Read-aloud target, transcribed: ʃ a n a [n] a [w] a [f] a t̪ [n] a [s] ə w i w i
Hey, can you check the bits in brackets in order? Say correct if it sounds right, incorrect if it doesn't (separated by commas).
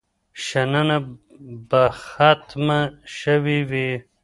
correct, incorrect, incorrect, incorrect, incorrect